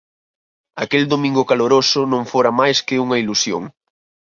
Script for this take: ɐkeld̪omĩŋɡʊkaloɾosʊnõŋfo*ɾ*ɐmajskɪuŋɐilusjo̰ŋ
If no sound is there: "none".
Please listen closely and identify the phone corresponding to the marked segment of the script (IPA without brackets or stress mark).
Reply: ɾ